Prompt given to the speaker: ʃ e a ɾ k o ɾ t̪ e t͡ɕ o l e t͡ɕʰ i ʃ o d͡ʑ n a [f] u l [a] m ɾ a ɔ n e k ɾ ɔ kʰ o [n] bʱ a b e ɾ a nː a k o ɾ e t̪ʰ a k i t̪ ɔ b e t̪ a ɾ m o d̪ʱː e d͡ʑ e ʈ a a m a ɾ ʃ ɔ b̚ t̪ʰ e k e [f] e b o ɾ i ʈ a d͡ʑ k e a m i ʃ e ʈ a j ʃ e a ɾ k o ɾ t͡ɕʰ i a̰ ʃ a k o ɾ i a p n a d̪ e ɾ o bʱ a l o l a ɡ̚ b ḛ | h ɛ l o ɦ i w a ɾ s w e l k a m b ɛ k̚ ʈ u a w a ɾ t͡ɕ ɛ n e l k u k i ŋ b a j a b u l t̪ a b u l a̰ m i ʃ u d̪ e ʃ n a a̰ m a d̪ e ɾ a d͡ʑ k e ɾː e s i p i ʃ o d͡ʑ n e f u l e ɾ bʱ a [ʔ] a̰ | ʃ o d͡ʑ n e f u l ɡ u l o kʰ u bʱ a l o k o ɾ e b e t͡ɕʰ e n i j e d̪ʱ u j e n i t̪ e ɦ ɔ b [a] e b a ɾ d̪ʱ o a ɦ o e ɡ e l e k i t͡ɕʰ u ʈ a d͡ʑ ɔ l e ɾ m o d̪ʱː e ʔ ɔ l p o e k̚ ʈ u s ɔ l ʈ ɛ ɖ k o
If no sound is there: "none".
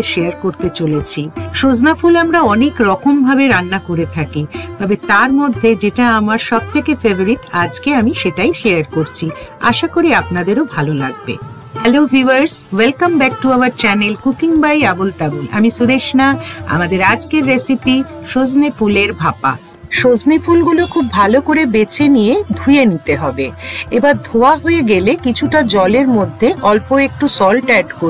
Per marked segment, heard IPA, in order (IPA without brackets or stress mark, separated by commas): f, a, m, f, p, e